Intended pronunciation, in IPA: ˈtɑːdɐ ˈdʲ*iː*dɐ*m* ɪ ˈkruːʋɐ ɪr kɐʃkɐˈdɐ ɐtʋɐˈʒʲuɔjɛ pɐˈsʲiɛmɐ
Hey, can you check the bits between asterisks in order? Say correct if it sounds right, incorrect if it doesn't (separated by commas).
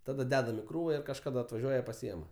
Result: incorrect, correct